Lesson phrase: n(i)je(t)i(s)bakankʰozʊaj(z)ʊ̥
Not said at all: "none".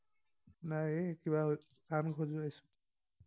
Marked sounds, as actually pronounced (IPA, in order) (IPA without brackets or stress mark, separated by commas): a, k, none, s